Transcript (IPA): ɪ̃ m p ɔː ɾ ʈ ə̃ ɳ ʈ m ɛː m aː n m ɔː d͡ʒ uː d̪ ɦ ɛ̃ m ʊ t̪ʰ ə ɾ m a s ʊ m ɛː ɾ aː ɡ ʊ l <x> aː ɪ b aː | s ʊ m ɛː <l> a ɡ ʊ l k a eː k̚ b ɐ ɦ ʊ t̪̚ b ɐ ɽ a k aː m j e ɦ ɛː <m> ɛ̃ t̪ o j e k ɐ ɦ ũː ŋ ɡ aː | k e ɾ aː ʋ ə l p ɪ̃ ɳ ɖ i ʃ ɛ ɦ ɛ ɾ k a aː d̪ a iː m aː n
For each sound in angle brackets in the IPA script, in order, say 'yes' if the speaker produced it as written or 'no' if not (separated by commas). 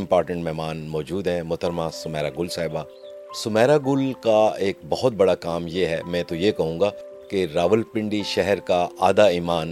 no, no, yes